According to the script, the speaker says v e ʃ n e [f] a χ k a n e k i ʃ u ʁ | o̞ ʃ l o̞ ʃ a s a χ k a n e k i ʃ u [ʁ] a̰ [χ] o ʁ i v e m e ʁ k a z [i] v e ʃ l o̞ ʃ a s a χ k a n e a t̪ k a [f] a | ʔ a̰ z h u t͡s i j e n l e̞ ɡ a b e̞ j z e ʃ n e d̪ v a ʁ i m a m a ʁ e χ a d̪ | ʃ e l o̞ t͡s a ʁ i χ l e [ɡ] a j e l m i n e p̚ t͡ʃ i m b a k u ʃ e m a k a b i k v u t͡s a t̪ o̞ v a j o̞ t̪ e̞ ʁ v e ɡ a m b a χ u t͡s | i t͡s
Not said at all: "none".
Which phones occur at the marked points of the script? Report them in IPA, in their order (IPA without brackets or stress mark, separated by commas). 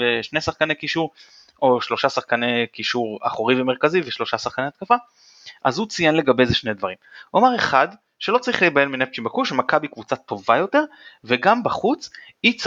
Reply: s, ʁ, χ, i, f, b